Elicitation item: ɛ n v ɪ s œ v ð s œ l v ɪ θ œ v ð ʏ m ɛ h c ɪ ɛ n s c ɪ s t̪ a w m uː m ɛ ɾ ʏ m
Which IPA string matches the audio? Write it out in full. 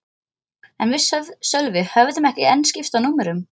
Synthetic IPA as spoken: ɛ n v ɪ s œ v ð s œ l v ɪ h œ v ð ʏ m ɛ h c ɪ ɛ n s c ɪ f t̪ a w n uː m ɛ ɾ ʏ m